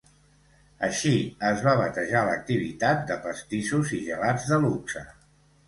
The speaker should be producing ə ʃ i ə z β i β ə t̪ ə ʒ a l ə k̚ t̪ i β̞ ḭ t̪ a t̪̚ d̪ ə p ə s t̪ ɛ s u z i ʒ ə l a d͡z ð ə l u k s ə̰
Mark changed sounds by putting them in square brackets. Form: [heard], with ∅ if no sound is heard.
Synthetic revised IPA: ə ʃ i ə z β [a] β ə t̪ ə ʒ a l ə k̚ t̪ i β̞ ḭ t̪ a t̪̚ d̪ ə p ə s t̪ [i] s u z i ʒ ə l a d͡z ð ə l u k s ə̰